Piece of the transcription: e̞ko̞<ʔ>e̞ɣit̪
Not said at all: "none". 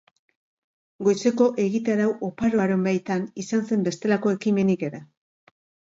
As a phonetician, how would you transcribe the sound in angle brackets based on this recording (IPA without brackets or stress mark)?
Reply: ʔ